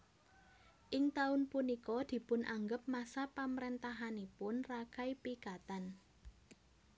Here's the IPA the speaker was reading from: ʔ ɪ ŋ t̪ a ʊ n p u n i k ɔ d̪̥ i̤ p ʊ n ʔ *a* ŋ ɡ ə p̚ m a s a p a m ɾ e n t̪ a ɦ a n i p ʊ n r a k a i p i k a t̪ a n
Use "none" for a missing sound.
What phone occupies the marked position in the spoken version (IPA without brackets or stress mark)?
a